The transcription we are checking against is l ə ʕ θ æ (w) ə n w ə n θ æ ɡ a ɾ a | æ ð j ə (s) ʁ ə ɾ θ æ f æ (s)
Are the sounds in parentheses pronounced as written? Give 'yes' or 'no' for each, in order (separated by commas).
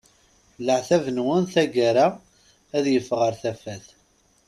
no, no, no